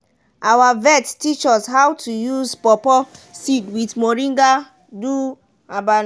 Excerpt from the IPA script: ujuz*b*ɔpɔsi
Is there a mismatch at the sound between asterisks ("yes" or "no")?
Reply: yes